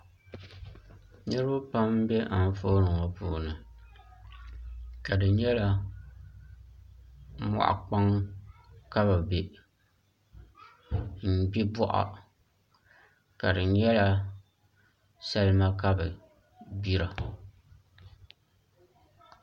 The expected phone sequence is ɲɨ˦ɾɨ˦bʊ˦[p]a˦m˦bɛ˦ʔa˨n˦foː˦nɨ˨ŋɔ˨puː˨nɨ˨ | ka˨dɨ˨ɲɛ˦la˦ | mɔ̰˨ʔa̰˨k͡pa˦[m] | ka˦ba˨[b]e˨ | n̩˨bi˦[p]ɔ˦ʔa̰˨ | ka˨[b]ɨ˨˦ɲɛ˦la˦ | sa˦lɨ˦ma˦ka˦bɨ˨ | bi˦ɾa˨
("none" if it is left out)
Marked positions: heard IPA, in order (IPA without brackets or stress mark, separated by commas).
p, ŋ, b, b, d